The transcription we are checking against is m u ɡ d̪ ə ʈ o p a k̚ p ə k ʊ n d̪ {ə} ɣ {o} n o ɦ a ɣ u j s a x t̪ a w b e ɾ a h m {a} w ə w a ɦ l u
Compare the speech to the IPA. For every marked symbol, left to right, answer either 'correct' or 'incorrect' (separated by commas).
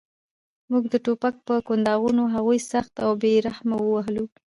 incorrect, incorrect, correct